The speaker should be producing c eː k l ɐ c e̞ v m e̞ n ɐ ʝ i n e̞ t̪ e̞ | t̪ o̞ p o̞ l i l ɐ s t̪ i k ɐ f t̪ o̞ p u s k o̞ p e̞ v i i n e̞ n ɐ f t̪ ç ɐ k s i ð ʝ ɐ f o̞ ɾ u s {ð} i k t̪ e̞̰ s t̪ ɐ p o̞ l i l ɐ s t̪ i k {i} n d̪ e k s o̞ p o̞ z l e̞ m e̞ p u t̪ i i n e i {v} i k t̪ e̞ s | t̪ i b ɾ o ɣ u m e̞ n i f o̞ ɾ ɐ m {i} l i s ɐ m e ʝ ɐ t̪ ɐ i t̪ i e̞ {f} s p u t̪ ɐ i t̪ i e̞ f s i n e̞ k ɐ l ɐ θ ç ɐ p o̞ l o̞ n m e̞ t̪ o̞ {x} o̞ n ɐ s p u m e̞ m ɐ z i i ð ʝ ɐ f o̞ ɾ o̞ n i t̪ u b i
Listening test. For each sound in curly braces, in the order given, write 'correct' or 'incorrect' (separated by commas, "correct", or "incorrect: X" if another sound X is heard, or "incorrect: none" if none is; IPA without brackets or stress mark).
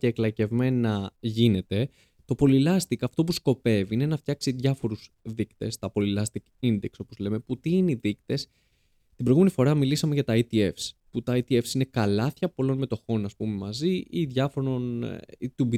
correct, correct, incorrect: ð, correct, correct, correct